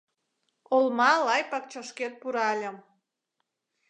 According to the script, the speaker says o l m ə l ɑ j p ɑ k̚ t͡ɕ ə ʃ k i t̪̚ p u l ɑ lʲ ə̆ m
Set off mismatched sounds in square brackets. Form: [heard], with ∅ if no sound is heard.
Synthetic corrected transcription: o l m [ɑ] l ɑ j p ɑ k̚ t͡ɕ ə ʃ k [e] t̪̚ p u [ɾ] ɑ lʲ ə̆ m